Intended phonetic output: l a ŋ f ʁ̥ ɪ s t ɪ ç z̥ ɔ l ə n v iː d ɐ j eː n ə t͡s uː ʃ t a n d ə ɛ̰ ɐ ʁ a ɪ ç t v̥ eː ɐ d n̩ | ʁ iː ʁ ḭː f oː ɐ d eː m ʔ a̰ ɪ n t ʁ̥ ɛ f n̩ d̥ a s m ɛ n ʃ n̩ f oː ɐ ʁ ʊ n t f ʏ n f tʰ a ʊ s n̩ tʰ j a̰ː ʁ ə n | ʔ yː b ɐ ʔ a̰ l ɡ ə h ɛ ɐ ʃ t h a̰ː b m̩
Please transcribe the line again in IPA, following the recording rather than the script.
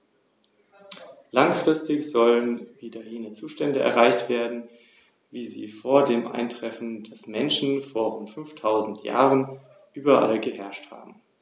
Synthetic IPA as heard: l a ŋ f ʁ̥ ɪ s t ɪ ç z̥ ɔ l ə n v iː d ɐ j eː n ə t͡s uː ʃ t ɛ n d ə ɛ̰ ɐ ʁ a ɪ ç t v̥ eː ɐ d n̩ | v iː z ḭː f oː ɐ d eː m ʔ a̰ ɪ n t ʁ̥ ɛ f n̩ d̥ a s m ɛ n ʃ n̩ f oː ɐ ʁ ʊ n t f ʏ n f tʰ a ʊ z n̩ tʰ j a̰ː ʁ ə n | ʔ yː b ɐ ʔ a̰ l ɡ ə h ɛ ɐ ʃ t h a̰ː b m̩